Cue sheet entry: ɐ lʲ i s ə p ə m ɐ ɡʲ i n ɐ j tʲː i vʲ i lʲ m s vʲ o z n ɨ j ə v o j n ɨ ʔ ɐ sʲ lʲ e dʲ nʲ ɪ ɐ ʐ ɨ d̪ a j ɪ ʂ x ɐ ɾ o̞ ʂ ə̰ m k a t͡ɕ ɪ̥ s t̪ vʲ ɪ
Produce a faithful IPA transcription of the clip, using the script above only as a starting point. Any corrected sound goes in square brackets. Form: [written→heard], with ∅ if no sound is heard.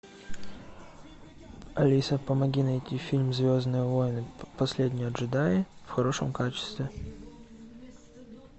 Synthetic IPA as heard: ɐ lʲ i s ə p ə m ɐ ɡʲ i n ɐ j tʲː i [vʲ→fʲ] i lʲ m [s→z] vʲ o z n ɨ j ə v o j n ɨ [ʔ→p] ɐ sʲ lʲ e dʲ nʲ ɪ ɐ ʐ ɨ d̪ a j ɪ [ʂ→f] x ɐ ɾ o̞ ʂ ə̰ m k a t͡ɕ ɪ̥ s t̪ vʲ ɪ